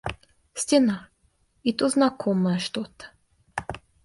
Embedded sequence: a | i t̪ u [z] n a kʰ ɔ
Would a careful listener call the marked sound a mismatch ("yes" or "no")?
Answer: no